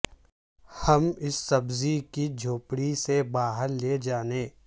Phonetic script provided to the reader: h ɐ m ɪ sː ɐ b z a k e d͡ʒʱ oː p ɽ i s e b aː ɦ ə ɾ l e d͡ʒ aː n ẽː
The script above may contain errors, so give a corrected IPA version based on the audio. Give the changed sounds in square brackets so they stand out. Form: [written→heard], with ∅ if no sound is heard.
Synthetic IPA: h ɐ m ɪ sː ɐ b z [a→i] k [e→i] d͡ʒʱ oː p ɽ i s e b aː ɦ ə ɾ l e d͡ʒ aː n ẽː